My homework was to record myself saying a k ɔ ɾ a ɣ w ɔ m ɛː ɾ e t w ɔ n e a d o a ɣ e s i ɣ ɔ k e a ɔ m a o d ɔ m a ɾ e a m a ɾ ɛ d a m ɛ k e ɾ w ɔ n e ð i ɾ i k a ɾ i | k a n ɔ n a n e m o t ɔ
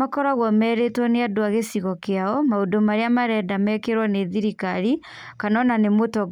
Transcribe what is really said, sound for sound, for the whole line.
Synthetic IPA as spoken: a k ɔ ɾ a ɣ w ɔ m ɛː ɾ e t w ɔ n e a d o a ɣ e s i ɣ ɔ k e a ɔ m a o d o m a ɾ e a m a ɾ ɛ d a m ɛ k e ɾ w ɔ n e ð i ɾ i k a ɾ i | k a n ɔ n a n e m o t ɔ